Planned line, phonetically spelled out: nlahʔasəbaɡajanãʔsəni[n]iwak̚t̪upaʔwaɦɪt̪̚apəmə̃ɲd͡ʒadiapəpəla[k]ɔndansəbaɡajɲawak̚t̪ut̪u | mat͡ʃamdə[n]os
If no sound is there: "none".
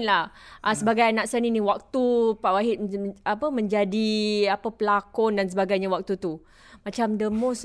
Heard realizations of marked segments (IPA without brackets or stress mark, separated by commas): n, k, m